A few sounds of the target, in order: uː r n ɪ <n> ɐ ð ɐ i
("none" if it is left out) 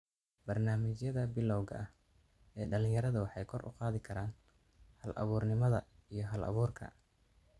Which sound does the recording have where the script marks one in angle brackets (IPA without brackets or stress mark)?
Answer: m